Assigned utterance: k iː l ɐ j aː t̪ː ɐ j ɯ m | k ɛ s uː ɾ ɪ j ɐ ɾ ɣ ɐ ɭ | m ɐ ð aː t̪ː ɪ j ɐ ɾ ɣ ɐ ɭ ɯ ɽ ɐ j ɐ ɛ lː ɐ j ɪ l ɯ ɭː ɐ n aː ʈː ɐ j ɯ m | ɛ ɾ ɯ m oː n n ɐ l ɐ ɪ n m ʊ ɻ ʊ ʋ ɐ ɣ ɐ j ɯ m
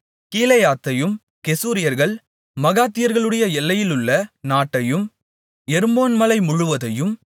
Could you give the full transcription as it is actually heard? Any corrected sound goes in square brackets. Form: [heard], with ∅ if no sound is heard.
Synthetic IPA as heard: k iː l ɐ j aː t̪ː ɐ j ɯ m | k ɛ s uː ɾ ɪ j ɐ ɾ ɣ ɐ ɭ | m ɐ [ɣ] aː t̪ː ɪ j ɐ ɾ ɣ ɐ ɭ ɯ ɽ ɐ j ɐ ɛ lː ɐ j ɪ l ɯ ɭː ɐ n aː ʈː ɐ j ɯ m | ɛ ɾ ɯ m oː n [m] ɐ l ɐ ɪ [∅] m ʊ ɻ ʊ ʋ ɐ [ð] ɐ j ɯ m